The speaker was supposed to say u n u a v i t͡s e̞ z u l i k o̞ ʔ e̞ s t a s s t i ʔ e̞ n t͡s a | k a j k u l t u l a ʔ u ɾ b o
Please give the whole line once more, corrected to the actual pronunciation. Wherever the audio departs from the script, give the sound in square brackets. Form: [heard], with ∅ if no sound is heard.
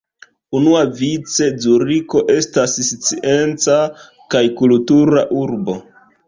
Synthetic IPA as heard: u n u a v i t͡s e̞ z u [ɾ] i k o̞ ʔ e̞ s t a s s [t͡s] i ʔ e̞ n t͡s a | k a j k u l t u [ɾ] a ʔ u ɾ b o